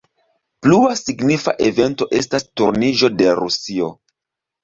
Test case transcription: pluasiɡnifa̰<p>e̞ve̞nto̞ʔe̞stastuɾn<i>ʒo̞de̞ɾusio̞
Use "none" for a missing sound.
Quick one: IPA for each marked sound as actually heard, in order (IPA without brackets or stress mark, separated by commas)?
ʔ, i